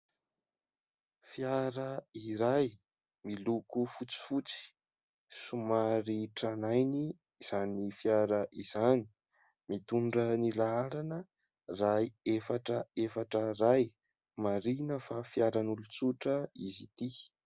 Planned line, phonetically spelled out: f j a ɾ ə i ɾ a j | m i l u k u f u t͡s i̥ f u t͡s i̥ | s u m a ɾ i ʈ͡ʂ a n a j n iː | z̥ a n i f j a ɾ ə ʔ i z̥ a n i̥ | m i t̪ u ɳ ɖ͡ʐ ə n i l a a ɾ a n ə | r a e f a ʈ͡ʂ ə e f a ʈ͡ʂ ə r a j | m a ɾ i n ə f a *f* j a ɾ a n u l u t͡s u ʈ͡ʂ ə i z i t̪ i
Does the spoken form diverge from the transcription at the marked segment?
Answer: no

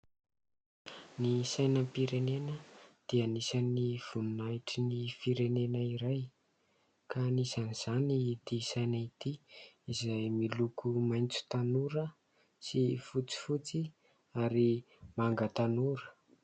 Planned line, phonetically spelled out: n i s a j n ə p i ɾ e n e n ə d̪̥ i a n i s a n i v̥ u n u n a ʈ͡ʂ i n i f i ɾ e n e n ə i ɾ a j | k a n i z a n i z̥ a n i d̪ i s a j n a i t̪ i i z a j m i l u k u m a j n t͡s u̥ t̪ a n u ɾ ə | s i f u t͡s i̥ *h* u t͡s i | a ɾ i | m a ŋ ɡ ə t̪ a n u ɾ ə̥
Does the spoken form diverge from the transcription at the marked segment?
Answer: yes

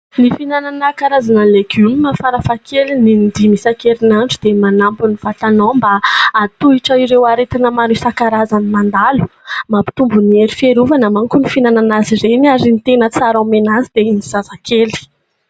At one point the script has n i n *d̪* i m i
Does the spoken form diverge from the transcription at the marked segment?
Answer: no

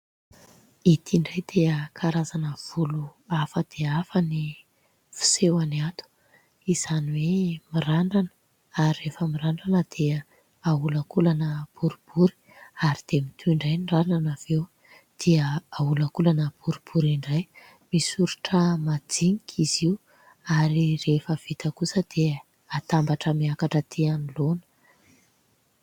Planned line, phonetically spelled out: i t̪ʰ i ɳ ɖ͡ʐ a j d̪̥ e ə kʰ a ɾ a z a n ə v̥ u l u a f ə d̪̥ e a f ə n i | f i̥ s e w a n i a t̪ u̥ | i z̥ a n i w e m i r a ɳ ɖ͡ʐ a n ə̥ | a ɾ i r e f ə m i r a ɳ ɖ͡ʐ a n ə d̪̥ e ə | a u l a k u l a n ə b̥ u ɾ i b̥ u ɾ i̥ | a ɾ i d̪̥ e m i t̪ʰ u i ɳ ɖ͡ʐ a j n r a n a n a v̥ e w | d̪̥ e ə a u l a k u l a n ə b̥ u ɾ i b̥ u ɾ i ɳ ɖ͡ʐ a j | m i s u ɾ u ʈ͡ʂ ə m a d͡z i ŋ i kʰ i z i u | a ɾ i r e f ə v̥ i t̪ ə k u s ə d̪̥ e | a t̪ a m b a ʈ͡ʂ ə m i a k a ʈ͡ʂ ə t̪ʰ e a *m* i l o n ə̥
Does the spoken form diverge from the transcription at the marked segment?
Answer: yes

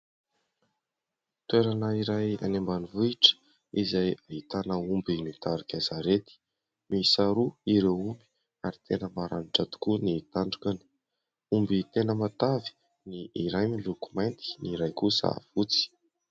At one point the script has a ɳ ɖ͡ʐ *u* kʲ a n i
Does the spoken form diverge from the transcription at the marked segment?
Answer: no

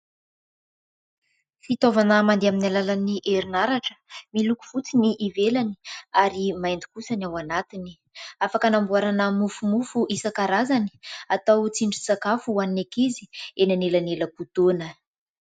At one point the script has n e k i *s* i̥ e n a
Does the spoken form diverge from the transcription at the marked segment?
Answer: yes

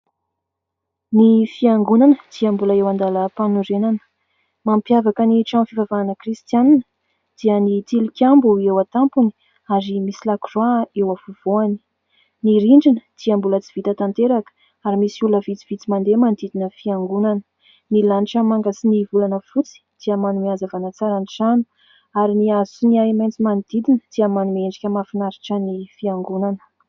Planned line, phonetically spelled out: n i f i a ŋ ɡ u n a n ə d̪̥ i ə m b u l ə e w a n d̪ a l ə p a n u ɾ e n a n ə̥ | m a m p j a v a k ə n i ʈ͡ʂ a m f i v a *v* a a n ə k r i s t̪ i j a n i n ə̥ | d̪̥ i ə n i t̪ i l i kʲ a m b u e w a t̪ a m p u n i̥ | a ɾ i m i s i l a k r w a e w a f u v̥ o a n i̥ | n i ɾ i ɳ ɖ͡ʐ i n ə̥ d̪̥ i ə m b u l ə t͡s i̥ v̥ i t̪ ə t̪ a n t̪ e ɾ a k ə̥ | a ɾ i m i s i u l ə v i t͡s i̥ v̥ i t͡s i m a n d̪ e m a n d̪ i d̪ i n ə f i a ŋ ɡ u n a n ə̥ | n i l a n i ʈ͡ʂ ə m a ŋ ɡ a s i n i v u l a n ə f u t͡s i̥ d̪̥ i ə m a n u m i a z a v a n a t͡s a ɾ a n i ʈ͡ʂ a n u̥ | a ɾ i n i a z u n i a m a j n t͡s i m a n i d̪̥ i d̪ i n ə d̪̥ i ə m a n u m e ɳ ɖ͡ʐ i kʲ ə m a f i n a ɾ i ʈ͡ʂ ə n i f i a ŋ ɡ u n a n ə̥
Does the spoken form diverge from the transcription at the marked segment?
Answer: no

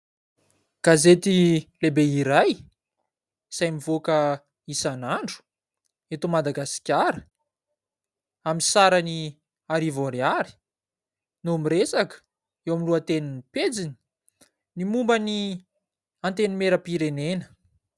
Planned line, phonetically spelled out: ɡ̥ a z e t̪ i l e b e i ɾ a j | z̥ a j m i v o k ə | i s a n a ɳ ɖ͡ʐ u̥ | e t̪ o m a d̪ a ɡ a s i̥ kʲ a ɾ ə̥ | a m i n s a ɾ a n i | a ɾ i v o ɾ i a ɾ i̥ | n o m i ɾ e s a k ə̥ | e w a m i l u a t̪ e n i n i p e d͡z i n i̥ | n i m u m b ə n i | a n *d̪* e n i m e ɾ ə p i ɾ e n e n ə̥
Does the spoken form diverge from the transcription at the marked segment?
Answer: yes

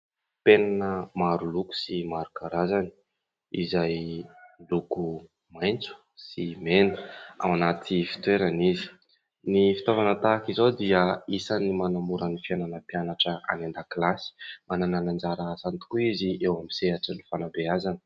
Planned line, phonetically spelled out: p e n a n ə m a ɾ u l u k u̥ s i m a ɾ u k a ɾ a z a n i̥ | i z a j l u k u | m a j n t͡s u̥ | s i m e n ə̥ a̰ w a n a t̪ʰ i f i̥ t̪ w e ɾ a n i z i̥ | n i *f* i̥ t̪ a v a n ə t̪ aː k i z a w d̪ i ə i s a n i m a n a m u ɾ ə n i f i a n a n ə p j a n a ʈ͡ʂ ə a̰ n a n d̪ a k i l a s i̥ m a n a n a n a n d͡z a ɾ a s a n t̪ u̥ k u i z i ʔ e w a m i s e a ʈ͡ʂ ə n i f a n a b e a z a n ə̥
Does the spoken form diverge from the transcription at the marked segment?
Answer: no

